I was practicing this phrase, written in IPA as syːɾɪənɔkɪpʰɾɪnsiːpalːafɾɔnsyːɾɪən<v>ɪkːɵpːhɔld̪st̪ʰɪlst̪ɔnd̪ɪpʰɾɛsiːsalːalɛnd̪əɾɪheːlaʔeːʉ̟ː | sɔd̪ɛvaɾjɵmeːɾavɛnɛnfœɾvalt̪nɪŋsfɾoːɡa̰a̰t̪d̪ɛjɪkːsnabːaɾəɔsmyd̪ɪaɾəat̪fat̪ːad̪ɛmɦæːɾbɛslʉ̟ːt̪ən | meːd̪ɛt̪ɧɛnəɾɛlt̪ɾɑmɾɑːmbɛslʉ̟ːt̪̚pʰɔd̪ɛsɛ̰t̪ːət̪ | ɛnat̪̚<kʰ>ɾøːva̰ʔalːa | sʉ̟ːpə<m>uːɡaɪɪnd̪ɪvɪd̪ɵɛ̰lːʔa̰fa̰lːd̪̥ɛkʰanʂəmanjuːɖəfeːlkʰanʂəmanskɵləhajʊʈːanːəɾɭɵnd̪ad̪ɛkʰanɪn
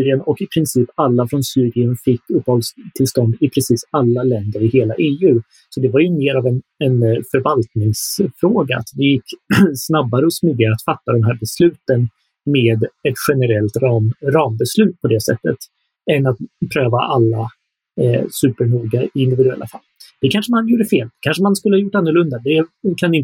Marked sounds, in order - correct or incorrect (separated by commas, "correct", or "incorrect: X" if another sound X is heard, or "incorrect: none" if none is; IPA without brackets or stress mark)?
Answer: incorrect: f, incorrect: pʰ, incorrect: ɳ